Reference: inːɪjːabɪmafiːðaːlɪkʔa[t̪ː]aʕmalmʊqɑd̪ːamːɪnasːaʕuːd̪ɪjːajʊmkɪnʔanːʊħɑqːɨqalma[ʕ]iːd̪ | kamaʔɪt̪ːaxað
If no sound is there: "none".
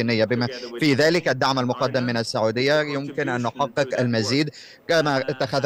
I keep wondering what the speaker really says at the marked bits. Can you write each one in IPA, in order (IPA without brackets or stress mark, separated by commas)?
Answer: d̪ː, z